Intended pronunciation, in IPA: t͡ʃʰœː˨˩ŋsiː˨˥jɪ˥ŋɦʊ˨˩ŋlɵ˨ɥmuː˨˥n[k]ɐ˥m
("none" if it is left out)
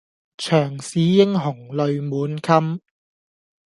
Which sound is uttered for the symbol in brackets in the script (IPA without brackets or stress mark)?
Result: kʰ